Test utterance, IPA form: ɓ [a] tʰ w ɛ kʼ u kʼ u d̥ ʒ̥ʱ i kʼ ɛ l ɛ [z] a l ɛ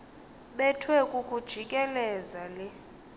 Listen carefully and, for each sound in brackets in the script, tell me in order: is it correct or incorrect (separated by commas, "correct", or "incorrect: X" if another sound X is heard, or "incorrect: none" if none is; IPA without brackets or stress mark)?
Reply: incorrect: ɛ, correct